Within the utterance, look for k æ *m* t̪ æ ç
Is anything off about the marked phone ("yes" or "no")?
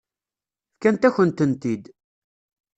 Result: yes